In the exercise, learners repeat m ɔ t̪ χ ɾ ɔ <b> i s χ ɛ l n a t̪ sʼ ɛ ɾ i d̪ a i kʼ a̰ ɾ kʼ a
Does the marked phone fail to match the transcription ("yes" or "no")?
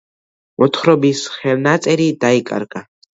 no